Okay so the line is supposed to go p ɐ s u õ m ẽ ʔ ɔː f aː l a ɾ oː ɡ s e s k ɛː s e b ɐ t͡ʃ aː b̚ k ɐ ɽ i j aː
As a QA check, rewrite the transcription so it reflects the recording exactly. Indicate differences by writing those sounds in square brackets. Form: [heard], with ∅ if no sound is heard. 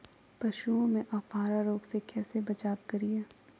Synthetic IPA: p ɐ [ʃ] u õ m ẽ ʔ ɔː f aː [ɾ] a ɾ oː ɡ s e [∅] k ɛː s e b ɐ t͡ʃ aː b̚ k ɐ [ɾ] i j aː